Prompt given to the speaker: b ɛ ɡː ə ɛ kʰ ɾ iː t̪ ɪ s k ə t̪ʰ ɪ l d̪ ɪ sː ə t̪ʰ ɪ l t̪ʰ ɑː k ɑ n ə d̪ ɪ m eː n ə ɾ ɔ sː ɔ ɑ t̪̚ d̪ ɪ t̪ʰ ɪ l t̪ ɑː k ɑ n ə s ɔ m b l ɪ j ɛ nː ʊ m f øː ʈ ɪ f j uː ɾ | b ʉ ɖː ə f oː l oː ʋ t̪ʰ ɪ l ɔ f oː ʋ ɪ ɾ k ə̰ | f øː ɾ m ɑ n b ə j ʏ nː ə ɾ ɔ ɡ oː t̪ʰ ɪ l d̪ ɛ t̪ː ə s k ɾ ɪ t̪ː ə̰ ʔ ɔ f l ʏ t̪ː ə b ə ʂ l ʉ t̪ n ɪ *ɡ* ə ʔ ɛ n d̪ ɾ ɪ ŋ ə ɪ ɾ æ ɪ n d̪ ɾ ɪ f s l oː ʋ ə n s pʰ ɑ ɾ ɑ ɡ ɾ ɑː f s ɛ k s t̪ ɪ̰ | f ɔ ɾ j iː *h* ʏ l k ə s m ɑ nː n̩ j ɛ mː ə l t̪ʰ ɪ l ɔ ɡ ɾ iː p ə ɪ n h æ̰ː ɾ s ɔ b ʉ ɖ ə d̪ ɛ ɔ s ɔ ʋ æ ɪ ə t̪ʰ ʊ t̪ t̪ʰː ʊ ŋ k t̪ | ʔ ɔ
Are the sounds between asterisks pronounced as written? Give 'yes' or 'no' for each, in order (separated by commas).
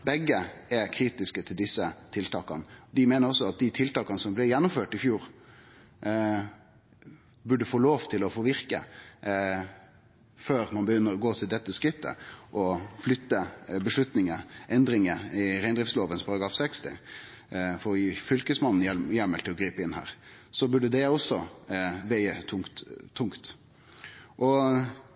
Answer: no, no